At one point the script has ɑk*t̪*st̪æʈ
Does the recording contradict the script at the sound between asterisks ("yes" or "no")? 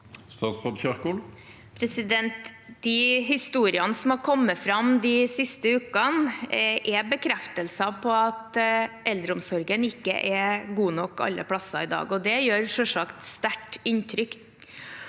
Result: no